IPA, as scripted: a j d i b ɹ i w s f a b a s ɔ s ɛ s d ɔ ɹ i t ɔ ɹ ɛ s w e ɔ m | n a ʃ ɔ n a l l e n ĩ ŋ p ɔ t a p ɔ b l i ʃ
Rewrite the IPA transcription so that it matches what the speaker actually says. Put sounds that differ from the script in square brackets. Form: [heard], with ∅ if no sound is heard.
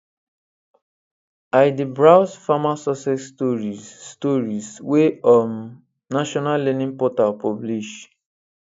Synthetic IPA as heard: a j d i b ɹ [a] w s f a [m] a s ɔ s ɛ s [t] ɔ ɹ i t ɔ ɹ [i] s w e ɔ m | n a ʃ ɔ n a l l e n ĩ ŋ p ɔ t a p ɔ b l i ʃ